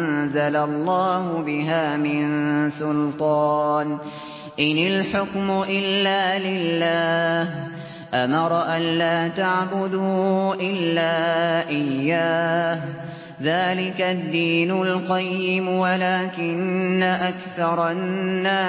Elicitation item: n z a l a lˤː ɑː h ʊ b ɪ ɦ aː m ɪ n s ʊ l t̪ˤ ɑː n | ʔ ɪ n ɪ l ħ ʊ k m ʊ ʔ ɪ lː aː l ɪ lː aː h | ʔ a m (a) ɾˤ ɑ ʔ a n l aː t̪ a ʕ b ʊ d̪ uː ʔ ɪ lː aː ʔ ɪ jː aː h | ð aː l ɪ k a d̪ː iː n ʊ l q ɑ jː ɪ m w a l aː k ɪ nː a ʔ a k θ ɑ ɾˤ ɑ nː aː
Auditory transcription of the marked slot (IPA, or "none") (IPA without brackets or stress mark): ɑ